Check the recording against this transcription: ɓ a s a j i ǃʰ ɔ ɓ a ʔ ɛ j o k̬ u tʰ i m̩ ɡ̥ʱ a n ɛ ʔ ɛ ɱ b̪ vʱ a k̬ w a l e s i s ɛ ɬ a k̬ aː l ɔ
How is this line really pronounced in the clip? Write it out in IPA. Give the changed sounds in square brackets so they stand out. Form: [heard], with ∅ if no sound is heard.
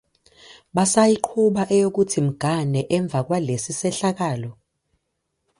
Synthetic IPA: ɓ a s a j i ǃʰ [u] ɓ a ʔ ɛ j o k̬ u tʰ i m̩ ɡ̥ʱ a n ɛ ʔ ɛ ɱ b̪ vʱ a k̬ w a l e s i s ɛ ɬ a k̬ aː l ɔ